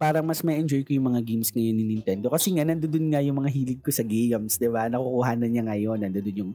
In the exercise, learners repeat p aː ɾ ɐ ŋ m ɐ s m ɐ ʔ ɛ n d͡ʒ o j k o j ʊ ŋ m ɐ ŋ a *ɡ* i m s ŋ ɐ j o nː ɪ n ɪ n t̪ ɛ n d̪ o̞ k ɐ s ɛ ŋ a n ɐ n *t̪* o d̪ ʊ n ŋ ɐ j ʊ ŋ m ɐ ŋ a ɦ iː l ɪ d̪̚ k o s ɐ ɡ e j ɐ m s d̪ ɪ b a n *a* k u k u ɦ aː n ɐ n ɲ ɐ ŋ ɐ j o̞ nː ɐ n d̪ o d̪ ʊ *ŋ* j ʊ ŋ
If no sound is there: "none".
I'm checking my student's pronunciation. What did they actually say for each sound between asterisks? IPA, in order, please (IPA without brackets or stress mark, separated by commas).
ɡ, d̪, ɐ, n